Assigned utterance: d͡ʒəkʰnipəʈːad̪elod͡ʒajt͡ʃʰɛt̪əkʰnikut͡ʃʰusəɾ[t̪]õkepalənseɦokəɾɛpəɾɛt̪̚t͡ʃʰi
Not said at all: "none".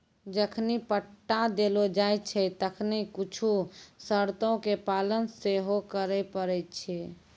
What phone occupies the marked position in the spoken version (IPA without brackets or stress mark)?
t̪